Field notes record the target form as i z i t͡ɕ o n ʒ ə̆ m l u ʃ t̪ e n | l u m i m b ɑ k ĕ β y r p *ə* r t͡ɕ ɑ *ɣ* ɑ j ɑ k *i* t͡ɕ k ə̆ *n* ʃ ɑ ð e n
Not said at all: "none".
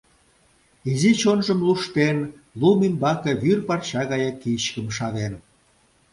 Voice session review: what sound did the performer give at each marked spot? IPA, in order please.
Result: ɑ, ɣ, i, m

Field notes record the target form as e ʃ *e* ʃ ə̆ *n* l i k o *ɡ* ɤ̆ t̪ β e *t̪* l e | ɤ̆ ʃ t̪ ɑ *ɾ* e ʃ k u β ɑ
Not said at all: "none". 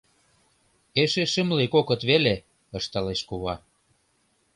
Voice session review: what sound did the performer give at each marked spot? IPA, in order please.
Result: e, m, k, none, l

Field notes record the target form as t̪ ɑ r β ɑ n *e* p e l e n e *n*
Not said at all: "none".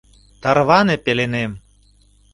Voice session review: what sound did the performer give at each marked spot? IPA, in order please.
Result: e, m

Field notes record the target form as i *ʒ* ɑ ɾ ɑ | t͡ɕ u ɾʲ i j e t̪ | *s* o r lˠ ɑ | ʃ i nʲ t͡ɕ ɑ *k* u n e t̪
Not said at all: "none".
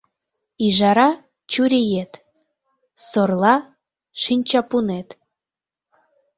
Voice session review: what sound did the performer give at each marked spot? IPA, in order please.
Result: ʒ, s, p

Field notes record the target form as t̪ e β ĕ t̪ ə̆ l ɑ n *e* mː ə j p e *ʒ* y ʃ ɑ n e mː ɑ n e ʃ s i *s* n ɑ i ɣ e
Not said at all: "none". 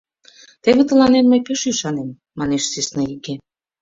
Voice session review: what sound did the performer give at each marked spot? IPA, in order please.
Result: e, ʃ, s

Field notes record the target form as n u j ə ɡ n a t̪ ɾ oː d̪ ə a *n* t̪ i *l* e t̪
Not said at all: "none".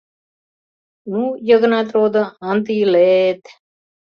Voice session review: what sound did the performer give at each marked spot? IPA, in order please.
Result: n, l

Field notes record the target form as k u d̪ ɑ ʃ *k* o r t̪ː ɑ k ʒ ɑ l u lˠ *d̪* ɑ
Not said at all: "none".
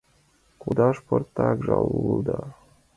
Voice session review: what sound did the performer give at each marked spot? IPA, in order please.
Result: p, d̪

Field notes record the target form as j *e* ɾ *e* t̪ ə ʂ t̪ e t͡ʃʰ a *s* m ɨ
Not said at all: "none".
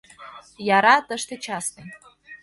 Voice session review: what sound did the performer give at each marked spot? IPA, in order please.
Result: a, a, s

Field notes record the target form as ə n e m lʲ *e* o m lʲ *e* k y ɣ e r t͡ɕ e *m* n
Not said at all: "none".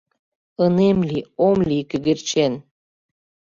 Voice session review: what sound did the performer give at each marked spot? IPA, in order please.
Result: i, i, none

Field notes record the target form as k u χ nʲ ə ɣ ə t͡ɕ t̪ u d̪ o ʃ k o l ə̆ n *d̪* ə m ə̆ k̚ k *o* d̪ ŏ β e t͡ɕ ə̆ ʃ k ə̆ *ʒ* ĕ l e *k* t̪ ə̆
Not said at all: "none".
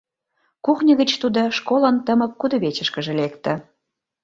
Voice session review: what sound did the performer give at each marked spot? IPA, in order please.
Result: t̪, u, ʒ, k

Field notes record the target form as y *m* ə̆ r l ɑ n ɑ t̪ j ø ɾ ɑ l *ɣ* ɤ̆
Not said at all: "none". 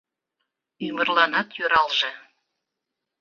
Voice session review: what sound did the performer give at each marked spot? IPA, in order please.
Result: m, ʒ

